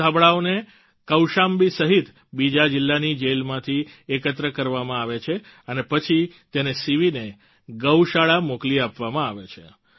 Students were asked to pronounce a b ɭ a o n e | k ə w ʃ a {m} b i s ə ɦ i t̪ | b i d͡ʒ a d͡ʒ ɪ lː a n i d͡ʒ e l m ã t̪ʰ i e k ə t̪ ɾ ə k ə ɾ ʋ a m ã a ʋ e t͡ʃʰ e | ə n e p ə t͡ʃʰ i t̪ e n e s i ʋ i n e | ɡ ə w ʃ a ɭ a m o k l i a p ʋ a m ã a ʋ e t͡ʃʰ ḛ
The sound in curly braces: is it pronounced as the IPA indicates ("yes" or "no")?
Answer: yes